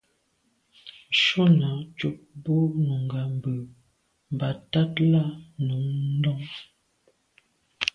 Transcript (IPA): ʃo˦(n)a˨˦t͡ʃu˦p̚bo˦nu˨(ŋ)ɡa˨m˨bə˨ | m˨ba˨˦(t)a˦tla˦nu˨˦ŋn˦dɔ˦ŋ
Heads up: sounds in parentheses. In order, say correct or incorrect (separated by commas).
correct, correct, correct